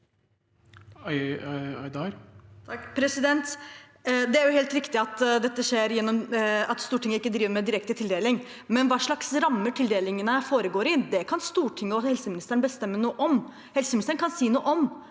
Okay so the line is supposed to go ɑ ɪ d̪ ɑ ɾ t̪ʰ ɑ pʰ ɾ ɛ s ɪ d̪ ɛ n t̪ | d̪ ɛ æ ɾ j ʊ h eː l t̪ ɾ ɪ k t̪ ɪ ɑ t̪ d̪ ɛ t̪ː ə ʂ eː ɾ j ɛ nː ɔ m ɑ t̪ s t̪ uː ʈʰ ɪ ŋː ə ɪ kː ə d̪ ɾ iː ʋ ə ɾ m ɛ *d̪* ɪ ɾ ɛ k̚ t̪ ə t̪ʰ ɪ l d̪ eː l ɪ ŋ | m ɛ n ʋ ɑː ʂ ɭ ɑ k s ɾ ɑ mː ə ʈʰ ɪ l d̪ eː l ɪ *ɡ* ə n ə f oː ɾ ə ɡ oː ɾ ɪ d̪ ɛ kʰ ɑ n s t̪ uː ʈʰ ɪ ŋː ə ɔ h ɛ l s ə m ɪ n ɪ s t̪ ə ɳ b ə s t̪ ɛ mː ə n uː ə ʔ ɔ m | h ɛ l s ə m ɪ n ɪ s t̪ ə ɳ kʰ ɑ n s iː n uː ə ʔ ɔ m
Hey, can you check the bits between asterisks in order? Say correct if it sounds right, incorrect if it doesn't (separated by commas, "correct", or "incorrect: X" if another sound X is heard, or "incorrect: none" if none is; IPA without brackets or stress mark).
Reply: correct, incorrect: ŋ